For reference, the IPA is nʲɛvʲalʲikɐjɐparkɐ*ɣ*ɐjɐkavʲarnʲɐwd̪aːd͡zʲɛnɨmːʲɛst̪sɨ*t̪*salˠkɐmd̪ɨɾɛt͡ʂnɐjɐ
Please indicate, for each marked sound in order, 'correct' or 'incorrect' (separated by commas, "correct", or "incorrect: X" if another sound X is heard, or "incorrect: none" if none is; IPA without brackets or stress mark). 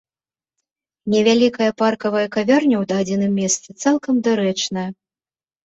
incorrect: v, correct